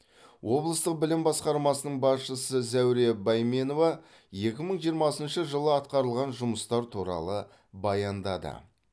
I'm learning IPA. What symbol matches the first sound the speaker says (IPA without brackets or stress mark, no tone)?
w